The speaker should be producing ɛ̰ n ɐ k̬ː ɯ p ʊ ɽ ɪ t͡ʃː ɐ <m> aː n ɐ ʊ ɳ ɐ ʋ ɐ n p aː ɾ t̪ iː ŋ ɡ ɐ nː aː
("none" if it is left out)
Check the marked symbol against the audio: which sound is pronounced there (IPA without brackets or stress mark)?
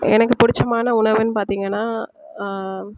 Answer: m